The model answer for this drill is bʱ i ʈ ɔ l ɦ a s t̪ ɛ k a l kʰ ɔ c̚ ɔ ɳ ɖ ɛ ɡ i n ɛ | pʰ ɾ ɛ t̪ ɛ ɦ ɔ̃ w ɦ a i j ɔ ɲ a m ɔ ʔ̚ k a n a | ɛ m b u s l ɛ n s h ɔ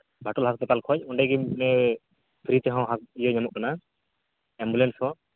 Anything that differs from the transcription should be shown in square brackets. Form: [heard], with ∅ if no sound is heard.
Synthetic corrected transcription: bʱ [a] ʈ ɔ l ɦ a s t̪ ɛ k a l kʰ ɔ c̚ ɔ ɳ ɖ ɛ ɡ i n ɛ | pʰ ɾ [i] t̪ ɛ ɦ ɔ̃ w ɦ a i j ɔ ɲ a m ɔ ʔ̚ k a n a | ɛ m b u [∅] l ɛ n s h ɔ

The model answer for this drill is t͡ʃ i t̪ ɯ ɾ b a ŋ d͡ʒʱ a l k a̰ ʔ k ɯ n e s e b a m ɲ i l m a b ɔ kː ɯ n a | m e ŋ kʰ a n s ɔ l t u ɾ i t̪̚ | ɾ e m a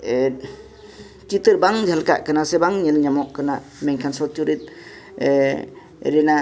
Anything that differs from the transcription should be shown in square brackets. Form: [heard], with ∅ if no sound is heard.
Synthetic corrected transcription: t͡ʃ i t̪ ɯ ɾ b a ŋ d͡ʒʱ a l k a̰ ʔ k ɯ n [a] s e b a [ŋ] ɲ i l [ɲ] a [m] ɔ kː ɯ n a | m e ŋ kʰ a n s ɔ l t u ɾ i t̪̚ | ɾ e [n] a

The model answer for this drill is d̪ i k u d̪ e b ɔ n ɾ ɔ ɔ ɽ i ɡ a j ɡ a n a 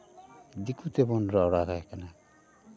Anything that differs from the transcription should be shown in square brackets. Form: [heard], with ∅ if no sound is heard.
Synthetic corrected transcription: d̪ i k u [t̪] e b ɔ n ɾ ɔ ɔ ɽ [a] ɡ a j [k] a n a

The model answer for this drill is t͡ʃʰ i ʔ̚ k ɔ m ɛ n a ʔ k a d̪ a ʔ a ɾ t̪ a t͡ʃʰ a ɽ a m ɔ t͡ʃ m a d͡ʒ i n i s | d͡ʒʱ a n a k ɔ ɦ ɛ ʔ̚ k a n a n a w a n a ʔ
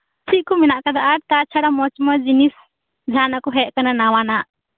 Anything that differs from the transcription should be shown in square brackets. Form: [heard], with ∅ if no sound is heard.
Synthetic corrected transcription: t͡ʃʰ i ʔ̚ k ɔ m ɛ n a ʔ k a d̪ a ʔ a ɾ t̪ a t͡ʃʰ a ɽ a m ɔ t͡ʃ m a d͡ʒ i n i s | d͡ʒʱ a n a k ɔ ɦ ɛ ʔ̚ k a n a n a w a n a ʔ

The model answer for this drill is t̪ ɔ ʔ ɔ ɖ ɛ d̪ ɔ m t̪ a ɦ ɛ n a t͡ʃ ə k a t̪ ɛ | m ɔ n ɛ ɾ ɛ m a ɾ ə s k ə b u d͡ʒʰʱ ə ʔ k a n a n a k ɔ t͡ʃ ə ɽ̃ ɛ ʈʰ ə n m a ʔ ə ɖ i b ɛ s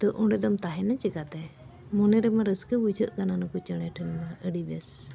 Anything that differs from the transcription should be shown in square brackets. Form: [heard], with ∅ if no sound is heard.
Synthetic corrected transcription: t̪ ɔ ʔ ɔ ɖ ɛ d̪ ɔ m t̪ a ɦ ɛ n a t͡ʃ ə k a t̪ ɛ | m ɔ n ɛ ɾ ɛ m a ɾ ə s k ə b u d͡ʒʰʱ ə ʔ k a n a n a k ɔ t͡ʃ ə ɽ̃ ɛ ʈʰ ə n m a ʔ ə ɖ i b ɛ s

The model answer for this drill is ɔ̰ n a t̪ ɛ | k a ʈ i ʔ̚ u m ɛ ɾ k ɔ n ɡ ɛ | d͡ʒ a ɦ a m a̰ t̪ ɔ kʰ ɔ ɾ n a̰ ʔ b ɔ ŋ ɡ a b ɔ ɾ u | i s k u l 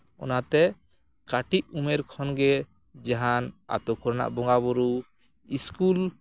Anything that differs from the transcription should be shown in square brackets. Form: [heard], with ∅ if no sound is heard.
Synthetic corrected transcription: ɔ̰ n a t̪ ɛ | k a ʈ i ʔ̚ u m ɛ ɾ [kʰ] ɔ n ɡ ɛ | d͡ʒ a ɦ a [n] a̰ t̪ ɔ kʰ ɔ ɾ n a̰ ʔ b ɔ ŋ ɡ a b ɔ ɾ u | i s k u l

